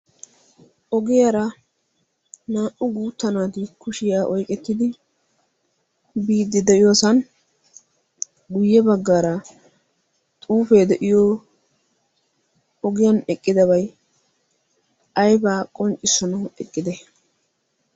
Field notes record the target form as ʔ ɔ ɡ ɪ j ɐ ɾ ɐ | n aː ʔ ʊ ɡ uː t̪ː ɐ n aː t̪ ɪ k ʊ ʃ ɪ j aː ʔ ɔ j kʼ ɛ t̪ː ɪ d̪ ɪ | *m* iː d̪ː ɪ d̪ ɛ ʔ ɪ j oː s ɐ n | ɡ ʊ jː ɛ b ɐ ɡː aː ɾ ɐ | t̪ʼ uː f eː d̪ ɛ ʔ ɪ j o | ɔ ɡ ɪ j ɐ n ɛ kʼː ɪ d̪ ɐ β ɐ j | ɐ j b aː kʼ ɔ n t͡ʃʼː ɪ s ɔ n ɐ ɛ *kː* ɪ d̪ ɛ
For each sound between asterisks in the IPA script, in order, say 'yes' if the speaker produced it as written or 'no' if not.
no, no

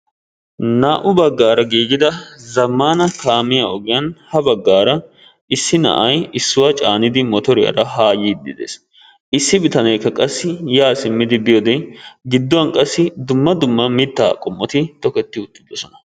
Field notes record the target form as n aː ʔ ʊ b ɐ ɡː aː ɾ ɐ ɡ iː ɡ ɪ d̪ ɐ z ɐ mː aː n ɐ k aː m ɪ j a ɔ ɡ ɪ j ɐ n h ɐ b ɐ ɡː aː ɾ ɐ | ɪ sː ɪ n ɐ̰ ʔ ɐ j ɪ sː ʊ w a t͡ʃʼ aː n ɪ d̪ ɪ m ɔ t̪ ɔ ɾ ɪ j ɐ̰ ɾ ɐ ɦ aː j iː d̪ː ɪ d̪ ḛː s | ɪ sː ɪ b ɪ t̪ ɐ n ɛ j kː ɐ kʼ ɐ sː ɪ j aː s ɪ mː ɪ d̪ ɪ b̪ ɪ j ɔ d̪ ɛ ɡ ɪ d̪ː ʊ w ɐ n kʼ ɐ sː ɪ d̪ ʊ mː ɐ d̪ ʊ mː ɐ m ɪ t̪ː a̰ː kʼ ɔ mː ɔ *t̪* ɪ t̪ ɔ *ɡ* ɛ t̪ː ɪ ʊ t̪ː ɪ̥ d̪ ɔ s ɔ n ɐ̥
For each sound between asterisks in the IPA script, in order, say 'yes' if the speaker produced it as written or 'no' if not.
yes, no

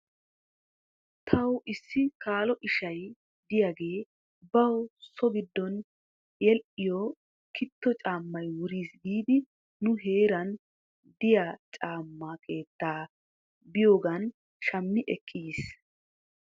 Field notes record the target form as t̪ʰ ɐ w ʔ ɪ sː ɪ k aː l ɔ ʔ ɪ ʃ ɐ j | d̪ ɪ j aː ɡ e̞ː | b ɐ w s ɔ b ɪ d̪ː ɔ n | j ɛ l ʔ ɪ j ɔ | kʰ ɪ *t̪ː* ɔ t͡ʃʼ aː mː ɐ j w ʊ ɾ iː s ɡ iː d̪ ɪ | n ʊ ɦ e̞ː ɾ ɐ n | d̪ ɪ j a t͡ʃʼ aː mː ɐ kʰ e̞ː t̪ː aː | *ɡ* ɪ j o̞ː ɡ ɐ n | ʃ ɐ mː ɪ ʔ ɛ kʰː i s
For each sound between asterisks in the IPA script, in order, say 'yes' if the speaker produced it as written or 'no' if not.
yes, no

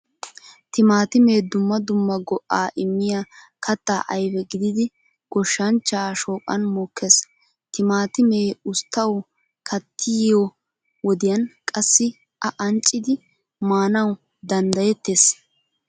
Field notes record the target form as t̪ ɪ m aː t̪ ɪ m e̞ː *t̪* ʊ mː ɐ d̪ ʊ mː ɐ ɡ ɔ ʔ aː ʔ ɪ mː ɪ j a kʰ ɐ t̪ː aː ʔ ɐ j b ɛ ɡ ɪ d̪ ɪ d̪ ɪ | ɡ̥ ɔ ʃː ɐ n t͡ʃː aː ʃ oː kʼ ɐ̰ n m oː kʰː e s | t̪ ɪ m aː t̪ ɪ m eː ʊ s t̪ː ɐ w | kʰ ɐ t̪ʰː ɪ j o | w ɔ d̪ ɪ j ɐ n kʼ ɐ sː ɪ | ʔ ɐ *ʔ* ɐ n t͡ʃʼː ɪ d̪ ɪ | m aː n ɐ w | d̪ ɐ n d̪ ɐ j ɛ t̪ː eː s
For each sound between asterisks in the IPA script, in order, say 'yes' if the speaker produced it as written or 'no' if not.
no, yes

